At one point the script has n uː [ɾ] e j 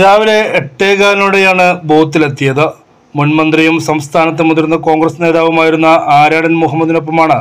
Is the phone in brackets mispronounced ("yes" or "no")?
yes